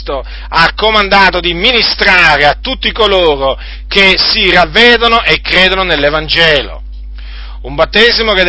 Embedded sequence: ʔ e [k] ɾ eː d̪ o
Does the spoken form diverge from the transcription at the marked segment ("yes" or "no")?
no